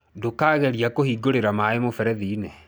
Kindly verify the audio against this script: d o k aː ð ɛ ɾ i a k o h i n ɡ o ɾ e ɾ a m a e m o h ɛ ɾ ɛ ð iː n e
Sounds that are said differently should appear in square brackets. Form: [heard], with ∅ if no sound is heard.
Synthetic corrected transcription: d o k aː [ɣ] ɛ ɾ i a k o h i [∅] ɡ o ɾ e ɾ a m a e m o [f] ɛ ɾ ɛ ð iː n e